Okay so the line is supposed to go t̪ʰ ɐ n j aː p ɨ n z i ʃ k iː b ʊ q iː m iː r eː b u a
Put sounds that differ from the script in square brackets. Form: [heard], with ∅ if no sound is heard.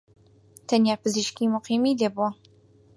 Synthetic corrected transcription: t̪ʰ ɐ n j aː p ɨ [∅] z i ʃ k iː [m] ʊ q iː m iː [l] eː b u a